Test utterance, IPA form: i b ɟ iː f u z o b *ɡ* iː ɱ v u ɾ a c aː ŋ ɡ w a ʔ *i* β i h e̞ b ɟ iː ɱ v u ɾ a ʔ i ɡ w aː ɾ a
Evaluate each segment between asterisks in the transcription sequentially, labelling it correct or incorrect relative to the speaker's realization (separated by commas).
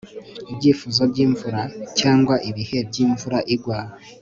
incorrect, correct